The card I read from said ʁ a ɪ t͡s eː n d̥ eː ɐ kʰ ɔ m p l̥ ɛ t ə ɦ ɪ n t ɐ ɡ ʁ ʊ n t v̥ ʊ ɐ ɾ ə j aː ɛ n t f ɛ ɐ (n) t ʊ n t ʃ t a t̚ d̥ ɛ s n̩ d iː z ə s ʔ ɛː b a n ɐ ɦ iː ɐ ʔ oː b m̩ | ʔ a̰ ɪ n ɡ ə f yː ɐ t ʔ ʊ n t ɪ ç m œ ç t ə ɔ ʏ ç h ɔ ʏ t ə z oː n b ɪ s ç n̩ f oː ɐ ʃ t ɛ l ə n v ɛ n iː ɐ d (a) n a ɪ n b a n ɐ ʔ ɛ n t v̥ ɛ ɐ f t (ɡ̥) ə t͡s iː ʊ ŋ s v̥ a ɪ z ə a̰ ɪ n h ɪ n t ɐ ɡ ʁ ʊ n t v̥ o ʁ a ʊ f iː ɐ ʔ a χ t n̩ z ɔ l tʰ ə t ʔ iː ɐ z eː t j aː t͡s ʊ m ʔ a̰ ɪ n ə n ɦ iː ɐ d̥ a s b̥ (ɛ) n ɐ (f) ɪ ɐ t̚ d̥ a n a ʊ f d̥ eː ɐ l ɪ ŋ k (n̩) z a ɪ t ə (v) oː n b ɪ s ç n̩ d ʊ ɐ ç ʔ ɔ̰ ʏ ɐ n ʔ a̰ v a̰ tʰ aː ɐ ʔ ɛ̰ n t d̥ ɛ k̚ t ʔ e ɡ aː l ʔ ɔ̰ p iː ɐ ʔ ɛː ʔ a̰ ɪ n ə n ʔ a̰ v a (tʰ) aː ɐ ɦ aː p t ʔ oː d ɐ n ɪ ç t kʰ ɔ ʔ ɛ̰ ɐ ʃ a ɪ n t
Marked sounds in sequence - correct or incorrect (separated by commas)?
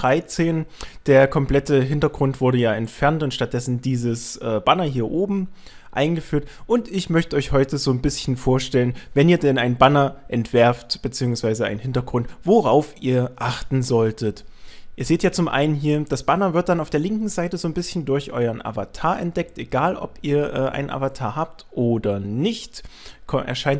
correct, incorrect, incorrect, incorrect, incorrect, incorrect, incorrect, correct